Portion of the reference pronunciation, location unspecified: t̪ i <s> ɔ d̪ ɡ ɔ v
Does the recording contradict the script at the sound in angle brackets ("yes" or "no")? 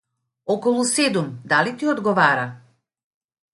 yes